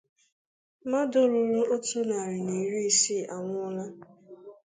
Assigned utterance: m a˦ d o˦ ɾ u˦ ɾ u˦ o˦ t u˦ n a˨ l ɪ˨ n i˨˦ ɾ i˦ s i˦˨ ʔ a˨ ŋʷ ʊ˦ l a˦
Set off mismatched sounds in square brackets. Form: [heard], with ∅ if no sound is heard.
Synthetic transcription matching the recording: m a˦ d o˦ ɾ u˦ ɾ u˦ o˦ t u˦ n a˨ [ɾ] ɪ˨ n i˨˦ ɾ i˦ s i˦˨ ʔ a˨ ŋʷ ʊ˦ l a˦